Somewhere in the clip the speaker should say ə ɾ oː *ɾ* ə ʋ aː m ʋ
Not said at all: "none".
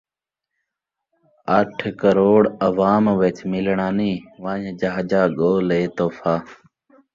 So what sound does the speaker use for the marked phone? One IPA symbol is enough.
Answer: ɽ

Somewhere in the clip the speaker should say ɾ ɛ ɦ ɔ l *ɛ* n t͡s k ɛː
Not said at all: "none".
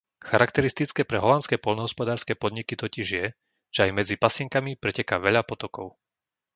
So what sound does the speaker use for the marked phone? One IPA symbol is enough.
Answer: a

